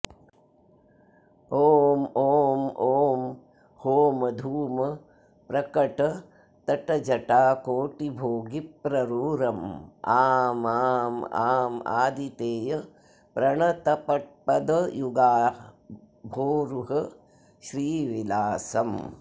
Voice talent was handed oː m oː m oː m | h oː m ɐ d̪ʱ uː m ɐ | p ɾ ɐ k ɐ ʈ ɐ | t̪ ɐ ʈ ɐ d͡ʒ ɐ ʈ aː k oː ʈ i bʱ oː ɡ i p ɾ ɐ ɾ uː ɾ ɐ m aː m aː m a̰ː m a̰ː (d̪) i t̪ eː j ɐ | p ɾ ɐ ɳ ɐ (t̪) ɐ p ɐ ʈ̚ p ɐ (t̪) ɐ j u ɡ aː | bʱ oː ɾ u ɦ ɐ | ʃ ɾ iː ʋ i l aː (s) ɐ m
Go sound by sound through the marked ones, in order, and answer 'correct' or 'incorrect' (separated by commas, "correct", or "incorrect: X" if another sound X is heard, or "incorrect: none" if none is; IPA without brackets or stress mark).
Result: correct, correct, incorrect: d̪, correct